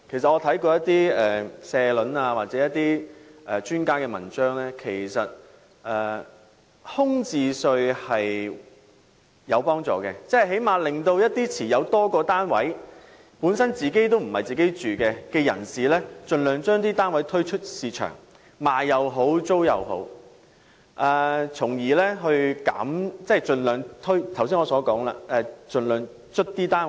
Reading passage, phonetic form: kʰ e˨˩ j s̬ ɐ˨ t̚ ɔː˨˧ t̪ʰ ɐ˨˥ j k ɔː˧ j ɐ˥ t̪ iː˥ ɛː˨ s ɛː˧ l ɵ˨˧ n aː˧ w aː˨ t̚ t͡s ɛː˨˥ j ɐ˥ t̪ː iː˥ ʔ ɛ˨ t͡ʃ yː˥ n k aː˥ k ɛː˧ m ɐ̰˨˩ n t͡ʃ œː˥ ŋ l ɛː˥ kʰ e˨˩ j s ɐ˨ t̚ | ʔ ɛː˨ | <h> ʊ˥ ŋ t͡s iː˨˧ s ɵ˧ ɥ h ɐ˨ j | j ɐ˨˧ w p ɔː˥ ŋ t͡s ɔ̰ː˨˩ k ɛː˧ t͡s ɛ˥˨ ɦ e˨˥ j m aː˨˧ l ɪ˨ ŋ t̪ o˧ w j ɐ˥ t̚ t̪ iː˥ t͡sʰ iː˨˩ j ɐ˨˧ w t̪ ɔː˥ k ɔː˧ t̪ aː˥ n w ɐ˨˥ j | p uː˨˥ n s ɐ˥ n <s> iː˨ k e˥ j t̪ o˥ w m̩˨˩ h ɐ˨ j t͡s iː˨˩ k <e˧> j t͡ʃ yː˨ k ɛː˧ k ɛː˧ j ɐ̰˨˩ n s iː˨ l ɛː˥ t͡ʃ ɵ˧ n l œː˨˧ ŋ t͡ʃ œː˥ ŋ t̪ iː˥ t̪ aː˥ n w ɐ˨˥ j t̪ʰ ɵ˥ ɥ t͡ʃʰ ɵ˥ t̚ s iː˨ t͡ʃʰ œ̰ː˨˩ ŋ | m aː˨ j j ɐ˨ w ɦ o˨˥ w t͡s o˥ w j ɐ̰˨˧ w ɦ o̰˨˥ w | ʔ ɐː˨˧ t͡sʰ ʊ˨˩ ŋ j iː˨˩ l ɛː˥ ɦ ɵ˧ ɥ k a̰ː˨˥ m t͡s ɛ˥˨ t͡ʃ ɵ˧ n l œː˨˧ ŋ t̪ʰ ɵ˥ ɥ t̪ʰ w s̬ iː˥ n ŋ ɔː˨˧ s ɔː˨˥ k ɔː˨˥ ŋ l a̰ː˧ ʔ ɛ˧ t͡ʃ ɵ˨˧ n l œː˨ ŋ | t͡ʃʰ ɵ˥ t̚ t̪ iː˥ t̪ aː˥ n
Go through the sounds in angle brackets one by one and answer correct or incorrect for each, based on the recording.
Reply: correct, incorrect, incorrect

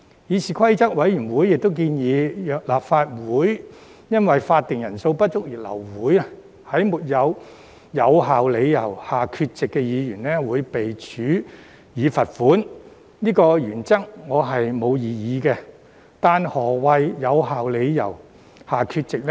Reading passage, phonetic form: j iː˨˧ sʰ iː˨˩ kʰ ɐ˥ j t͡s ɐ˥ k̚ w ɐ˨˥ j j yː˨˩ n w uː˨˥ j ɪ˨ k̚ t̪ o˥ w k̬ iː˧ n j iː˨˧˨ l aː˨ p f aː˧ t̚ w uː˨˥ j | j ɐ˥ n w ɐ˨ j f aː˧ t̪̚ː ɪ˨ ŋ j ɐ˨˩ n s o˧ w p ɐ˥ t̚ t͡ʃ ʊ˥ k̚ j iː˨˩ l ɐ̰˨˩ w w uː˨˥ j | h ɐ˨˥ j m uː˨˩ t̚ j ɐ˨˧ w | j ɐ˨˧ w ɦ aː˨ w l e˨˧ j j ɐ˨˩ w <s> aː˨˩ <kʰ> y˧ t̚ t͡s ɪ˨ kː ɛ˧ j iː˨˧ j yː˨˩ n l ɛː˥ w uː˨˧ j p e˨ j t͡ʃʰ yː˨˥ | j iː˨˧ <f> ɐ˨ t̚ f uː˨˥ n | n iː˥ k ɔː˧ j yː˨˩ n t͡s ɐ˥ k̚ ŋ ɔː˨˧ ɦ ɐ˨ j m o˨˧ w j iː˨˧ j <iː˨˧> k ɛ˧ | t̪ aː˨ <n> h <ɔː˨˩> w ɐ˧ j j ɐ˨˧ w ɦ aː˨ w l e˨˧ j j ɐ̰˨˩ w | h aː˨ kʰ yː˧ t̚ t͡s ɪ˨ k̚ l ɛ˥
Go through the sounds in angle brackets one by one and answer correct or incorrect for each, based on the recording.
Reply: incorrect, correct, correct, correct, correct, correct

